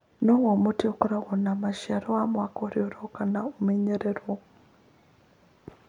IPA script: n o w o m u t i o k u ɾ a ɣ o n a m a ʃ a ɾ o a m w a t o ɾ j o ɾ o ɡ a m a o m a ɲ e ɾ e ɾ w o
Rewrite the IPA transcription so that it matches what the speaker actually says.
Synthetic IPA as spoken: n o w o m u t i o k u ɾ a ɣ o n a m a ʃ a ɾ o a m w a k o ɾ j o ɾ o k a n a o m e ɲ e ɾ e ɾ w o